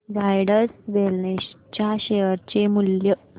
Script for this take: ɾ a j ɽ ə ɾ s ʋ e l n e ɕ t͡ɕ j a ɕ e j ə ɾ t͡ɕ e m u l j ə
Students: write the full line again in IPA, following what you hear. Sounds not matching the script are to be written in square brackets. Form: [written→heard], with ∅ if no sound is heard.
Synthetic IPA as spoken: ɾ a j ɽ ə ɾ s ʋ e l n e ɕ t͡ɕ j a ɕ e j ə ɾ t͡ɕ e m u l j ə

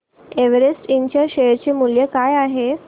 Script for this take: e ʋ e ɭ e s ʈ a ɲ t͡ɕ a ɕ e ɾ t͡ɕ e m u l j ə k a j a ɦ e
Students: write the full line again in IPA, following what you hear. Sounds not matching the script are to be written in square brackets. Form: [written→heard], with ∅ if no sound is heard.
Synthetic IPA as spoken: e ʋ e [ɭ→ɾ] e s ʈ [a→i] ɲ t͡ɕ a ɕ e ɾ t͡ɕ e m u l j ə k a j a ɦ e

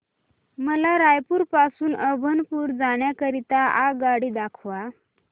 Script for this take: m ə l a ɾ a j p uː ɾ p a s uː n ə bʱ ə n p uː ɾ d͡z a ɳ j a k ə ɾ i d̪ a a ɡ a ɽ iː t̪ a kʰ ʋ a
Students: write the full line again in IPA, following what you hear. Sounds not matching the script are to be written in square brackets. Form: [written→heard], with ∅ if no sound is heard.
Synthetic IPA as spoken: m ə l a ɾ a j p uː ɾ p a s uː n ə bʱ ə n p uː ɾ d͡z a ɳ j a k ə ɾ i [d̪→t̪] a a ɡ a ɽ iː [t̪→d̪] a kʰ ʋ a

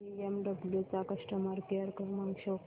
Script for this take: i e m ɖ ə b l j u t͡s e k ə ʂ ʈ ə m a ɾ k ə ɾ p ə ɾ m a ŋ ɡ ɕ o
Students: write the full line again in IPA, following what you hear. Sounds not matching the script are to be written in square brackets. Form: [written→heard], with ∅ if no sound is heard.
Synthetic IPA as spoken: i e m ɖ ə b l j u t͡s [e→a] k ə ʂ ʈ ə m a ɾ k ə ɾ [p→k] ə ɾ m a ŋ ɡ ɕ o

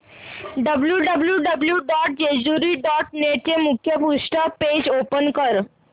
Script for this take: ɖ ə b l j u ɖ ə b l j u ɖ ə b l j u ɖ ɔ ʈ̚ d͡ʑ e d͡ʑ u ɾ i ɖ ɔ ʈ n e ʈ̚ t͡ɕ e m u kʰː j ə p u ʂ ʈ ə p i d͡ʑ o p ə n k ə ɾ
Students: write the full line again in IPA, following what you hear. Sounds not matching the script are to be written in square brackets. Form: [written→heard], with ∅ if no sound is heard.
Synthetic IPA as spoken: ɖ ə b l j u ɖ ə b l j u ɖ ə b l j u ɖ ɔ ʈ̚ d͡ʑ e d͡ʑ u ɾ i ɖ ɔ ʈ n e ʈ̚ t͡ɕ e m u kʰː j ə p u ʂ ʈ ə p [i→e] d͡ʑ o p ə n k ə ɾ

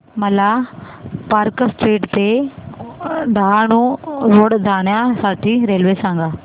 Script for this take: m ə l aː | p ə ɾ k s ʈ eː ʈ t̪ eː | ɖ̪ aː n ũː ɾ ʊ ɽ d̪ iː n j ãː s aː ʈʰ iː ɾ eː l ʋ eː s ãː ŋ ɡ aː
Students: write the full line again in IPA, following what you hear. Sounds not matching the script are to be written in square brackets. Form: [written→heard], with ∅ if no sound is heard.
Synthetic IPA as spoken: m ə l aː | p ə ɾ k s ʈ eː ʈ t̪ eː | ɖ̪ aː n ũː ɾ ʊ ɽ d̪ [iː→aː] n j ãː s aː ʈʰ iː ɾ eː l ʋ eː s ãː ŋ ɡ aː

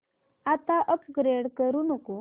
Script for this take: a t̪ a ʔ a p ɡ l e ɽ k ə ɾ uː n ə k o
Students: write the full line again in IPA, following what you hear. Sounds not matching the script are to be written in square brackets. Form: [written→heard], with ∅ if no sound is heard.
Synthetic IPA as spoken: a t̪ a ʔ [a→ə] p ɡ [l→ɾ] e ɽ k ə ɾ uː n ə k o

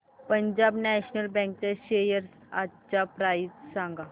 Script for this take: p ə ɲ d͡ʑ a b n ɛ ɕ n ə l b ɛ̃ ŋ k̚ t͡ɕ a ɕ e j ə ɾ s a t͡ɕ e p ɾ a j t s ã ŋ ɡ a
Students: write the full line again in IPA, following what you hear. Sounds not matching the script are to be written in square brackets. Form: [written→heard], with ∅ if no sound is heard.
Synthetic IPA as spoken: p ə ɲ d͡ʑ a b n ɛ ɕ n ə l b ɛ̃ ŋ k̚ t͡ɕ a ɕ e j ə ɾ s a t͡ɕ [e→a] p ɾ a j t s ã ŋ ɡ a

